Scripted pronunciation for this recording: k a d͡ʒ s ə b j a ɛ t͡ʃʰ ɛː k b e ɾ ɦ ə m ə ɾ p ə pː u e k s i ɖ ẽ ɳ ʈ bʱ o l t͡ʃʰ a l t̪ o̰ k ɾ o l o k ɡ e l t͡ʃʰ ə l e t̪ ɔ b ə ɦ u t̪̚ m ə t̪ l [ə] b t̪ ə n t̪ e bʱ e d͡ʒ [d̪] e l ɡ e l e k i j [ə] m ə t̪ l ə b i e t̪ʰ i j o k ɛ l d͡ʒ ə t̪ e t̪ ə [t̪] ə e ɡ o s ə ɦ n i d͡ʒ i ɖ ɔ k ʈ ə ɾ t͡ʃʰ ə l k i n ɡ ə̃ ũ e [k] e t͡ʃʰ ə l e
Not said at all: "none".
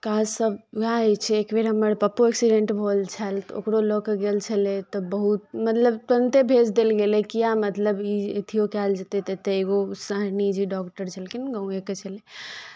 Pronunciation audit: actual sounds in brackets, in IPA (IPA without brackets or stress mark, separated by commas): ə, d̪, a, t̪, k